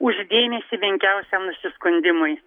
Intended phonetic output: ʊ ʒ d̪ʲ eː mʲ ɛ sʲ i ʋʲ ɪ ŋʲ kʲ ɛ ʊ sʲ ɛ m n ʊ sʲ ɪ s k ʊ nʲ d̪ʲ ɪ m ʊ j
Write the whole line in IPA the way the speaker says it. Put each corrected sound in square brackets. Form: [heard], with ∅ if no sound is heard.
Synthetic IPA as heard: ʊ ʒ d̪ʲ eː mʲ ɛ sʲ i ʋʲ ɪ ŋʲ kʲ ɛ ʊ sʲ ɛ m n ʊ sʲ ɪ s k ʊ nʲ d̪ʲ ɪ m ʊ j

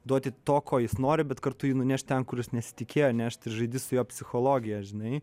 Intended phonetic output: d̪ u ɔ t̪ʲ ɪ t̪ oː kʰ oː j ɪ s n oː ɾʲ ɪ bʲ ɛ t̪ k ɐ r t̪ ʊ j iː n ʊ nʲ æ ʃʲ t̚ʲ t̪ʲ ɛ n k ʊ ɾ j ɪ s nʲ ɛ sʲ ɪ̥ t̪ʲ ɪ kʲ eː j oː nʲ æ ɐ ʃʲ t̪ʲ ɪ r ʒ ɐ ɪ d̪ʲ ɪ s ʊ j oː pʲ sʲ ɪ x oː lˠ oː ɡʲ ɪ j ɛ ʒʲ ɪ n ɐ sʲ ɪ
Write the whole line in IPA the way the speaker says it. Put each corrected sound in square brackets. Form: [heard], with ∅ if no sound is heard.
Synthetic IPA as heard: d̪ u ɔ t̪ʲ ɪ t̪ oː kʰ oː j ɪ s n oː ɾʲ ɪ bʲ ɛ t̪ k ɐ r t̪ ʊ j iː n ʊ nʲ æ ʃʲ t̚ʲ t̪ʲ ɛ n k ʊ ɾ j ɪ s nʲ ɛ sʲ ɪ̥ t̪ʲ ɪ kʲ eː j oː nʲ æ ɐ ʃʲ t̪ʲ ɪ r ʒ ɐ ɪ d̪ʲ ɪ s ʊ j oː pʲ sʲ ɪ x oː lˠ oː ɡʲ ɪ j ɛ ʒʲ ɪ n ɐ [∅] ɪ

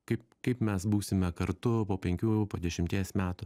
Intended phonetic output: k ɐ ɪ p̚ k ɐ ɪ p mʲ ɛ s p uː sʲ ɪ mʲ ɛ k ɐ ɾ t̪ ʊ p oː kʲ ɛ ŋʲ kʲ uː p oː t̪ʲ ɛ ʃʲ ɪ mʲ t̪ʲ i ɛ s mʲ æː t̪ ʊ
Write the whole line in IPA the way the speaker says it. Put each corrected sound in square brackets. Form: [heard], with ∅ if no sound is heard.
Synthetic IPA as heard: k ɐ ɪ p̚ k ɐ ɪ p mʲ ɛ s [b] uː sʲ ɪ mʲ ɛ k ɐ ɾ t̪ ʊ p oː [pʲ] ɛ ŋʲ kʲ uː p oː [d̪ʲ] ɛ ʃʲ ɪ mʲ t̪ʲ i ɛ s mʲ æː t̪ ʊ

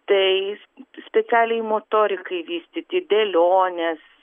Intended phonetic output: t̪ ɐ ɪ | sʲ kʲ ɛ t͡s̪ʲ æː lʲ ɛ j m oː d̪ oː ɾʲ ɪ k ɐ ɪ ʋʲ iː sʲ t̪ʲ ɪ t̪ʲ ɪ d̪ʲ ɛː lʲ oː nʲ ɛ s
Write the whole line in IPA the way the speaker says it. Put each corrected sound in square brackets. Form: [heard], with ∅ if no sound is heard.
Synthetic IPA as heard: t̪ ɐ ɪ | sʲ [pʲ] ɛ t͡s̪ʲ æː lʲ ɛ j m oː [t̪] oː ɾʲ ɪ k ɐ ɪ ʋʲ iː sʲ t̪ʲ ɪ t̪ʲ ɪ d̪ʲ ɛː lʲ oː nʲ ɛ s

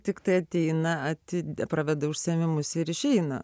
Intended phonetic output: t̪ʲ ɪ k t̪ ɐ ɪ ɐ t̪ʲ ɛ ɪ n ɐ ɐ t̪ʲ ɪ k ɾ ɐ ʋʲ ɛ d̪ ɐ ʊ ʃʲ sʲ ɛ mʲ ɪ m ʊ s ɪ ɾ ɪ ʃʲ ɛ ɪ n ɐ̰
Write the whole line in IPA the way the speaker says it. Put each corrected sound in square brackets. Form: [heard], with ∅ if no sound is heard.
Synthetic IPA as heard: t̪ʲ ɪ k t̪ ɐ ɪ ɐ t̪ʲ ɛ ɪ n ɐ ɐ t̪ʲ ɪ [p] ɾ ɐ ʋʲ ɛ d̪ ɐ ʊ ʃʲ sʲ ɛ mʲ ɪ m ʊ s ɪ ɾ ɪ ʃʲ ɛ ɪ n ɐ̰

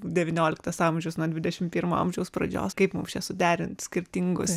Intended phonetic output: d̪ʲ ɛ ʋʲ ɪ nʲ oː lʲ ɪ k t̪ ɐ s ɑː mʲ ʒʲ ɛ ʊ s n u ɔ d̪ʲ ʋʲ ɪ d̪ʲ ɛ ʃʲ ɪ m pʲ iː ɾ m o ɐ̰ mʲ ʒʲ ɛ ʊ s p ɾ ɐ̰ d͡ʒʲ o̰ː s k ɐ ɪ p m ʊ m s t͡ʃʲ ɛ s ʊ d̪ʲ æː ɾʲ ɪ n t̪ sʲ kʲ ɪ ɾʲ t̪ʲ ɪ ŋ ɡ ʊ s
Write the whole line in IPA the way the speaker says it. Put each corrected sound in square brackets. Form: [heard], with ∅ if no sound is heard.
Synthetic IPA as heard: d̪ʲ ɛ ʋʲ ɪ nʲ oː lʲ ɪ k t̪ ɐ s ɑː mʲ ʒʲ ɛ ʊ s n u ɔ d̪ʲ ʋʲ ɪ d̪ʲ ɛ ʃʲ ɪ m pʲ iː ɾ m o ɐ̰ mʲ ʒʲ ɛ ʊ s p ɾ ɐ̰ d͡ʒʲ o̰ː s k ɐ ɪ p m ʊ m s t͡ʃʲ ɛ s ʊ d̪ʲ æː ɾʲ ɪ n t̪ sʲ kʲ ɪ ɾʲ t̪ʲ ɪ ŋ ɡ ʊ s

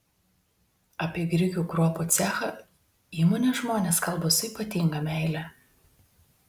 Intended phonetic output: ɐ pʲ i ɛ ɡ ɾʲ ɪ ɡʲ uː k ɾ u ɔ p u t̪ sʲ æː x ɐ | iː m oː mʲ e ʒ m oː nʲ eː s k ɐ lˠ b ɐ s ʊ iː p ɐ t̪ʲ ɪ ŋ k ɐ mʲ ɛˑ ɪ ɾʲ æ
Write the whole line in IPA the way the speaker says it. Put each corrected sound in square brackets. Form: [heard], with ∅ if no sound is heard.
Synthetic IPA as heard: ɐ pʲ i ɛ ɡ ɾʲ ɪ ɡʲ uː k ɾ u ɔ p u t̪ sʲ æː x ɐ | iː m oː [nʲ] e ʒ m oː nʲ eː s k ɐ lˠ b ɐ s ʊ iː p ɐ t̪ʲ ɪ ŋ [ɡ] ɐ mʲ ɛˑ ɪ [lʲ] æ

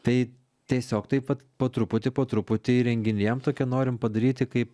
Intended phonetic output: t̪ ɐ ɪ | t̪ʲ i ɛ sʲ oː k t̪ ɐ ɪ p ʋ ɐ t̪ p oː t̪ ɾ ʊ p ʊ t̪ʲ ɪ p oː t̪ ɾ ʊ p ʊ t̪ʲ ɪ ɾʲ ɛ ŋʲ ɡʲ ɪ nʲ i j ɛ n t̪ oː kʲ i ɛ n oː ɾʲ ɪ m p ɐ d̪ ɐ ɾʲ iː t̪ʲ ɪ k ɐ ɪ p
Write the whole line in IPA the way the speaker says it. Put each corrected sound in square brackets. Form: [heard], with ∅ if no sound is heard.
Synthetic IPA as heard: t̪ ɐ ɪ | t̪ʲ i ɛ sʲ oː k t̪ ɐ ɪ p ʋ ɐ t̪ p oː t̪ ɾ ʊ p ʊ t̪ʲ ɪ p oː t̪ ɾ ʊ p ʊ t̪ʲ ɪ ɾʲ ɛ ŋʲ ɡʲ ɪ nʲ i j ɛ [m] t̪ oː kʲ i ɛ n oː ɾʲ ɪ m p ɐ d̪ ɐ ɾʲ iː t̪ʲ ɪ k ɐ ɪ p

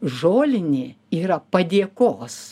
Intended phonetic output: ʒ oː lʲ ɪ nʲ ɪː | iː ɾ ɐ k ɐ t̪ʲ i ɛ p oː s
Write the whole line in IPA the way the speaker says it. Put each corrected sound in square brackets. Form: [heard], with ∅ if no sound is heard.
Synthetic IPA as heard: ʒ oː lʲ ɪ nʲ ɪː | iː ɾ ɐ [p] ɐ [d̪ʲ] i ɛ [k] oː s

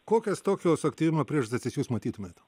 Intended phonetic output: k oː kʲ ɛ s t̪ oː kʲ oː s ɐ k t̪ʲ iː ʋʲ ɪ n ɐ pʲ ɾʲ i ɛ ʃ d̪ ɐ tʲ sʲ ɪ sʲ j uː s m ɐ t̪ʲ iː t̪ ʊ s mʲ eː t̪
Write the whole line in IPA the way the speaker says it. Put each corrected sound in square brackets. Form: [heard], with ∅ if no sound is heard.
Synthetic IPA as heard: k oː kʲ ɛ s t̪ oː kʲ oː s ɐ k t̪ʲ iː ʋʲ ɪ [m] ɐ pʲ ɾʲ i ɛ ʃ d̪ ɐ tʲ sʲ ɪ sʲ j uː s m ɐ t̪ʲ iː t̪ ʊ [∅] mʲ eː t̪

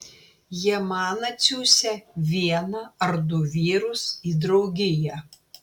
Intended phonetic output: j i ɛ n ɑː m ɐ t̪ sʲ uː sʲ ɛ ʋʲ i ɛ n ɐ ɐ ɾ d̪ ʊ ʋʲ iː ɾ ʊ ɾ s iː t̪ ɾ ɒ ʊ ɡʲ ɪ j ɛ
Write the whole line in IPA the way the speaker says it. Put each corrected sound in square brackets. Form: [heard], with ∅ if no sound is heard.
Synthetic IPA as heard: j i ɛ [m] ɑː [n] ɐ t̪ sʲ uː sʲ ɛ ʋʲ i ɛ n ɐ ɐ ɾ d̪ ʊ ʋʲ iː ɾ ʊ [∅] s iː [d̪] ɾ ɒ ʊ ɡʲ ɪ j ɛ

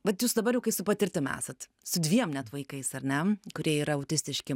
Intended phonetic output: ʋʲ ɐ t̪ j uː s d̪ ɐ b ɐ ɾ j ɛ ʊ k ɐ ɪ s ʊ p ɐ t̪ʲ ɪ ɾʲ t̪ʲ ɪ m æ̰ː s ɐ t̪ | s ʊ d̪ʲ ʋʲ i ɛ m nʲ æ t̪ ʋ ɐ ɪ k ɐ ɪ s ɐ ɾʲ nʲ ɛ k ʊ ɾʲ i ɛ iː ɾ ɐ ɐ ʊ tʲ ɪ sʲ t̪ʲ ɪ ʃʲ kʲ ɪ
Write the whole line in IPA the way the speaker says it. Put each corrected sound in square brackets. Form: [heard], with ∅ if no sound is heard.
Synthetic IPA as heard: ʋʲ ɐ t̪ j uː s d̪ ɐ b ɐ ɾ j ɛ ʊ k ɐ ɪ s ʊ p ɐ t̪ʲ ɪ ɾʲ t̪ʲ ɪ m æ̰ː s ɐ t̪ | s ʊ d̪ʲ ʋʲ i ɛ m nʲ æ t̪ ʋ ɐ ɪ k ɐ ɪ s ɐ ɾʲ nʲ ɛ k ʊ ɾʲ i ɛ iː ɾ ɐ ɐ ʊ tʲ ɪ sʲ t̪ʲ ɪ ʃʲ kʲ ɪ

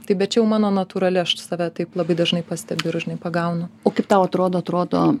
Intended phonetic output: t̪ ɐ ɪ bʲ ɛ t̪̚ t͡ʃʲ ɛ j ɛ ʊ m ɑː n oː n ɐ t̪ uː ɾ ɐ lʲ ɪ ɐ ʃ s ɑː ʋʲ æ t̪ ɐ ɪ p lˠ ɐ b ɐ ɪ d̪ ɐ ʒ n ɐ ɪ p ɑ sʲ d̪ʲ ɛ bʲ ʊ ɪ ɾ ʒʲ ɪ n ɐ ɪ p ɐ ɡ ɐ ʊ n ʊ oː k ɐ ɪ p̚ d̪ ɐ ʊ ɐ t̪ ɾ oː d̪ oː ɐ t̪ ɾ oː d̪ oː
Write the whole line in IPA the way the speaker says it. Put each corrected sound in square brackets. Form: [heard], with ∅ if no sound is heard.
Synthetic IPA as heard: t̪ ɐ ɪ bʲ ɛ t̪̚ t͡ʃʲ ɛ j ɛ ʊ m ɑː n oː n ɐ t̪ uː ɾ ɐ lʲ ɪ ɐ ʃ s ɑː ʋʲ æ t̪ ɐ ɪ p lˠ ɐ b ɐ ɪ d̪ ɐ ʒ n ɐ ɪ p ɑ sʲ [t̪ʲ] ɛ bʲ ʊ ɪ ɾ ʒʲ ɪ n ɐ ɪ p ɐ ɡ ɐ ʊ n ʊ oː k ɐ ɪ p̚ [t̪] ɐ ʊ ɐ t̪ ɾ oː d̪ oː ɐ t̪ ɾ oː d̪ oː

